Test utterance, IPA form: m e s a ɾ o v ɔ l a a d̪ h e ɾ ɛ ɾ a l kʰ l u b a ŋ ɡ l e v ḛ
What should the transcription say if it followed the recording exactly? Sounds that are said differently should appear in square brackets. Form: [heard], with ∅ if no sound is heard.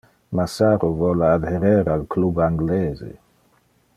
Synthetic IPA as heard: m [a] s a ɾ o v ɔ l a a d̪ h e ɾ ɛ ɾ a l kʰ l u b a ŋ ɡ l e [z] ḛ